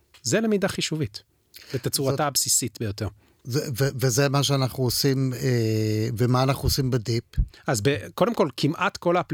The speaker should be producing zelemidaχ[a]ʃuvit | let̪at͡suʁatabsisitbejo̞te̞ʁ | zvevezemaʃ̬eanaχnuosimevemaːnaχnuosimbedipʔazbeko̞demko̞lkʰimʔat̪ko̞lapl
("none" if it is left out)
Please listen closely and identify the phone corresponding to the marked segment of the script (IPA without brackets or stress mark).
i